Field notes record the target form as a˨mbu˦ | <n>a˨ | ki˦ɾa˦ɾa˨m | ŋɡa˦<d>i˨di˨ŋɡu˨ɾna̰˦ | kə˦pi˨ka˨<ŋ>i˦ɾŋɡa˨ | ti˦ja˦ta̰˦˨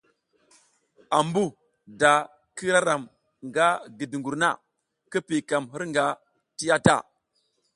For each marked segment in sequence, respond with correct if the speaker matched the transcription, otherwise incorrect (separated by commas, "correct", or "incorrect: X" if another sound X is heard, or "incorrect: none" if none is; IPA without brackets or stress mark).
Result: incorrect: d, incorrect: ɡ, incorrect: m